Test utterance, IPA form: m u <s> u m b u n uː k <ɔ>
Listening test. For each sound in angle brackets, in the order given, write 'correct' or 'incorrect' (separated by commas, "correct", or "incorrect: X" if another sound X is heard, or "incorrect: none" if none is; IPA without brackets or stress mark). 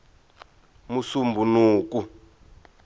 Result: correct, incorrect: u